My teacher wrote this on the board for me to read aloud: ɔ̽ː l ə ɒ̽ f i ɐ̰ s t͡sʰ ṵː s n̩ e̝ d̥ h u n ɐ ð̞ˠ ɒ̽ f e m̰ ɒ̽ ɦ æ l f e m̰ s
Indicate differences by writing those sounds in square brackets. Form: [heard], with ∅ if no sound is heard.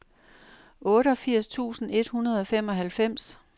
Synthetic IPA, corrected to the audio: ɔ̽ː [ɾ] ə ɒ̽ f i ɐ̰ s t͡sʰ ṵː s n̩ e̝ d̥ h u n ɐ ð̞ˠ ɒ̽ f e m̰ ɒ̽ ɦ æ l f e m̰ s